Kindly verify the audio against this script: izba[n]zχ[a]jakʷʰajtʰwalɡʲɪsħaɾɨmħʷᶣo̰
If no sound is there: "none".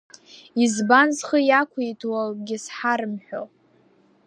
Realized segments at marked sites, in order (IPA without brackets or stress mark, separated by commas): n, ə